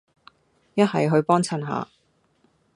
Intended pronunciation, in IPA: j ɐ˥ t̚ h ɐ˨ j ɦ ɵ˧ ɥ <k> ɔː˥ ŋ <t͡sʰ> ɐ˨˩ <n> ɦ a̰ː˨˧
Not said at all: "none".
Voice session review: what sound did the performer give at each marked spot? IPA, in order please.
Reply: p, t͡sʰ, n

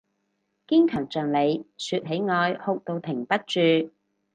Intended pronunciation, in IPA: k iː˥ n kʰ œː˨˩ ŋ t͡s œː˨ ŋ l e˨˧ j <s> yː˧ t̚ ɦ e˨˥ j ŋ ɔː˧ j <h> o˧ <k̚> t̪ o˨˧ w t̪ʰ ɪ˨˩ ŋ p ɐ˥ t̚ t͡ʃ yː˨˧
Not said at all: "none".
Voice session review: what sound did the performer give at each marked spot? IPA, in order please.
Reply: s, h, k̚

